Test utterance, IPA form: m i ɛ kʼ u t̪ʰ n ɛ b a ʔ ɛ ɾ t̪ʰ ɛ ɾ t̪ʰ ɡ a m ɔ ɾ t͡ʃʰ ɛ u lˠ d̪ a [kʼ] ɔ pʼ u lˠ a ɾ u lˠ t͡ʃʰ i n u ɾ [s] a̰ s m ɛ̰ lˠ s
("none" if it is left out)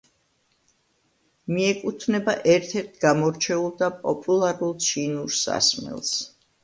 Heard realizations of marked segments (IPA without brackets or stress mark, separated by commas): pʼ, s